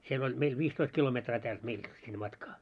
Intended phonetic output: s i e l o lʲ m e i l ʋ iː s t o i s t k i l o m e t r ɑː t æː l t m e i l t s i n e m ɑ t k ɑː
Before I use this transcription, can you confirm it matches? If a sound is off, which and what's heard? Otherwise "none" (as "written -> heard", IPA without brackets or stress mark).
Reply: n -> nː